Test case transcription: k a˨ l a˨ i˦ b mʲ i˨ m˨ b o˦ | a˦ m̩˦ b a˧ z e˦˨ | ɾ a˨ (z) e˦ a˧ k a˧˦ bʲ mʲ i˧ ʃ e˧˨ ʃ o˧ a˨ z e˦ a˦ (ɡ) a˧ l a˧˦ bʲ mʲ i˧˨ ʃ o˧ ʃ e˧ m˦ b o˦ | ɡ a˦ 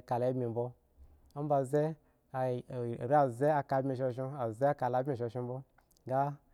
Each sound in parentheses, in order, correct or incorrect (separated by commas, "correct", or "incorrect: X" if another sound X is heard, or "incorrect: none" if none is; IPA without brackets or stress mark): correct, incorrect: k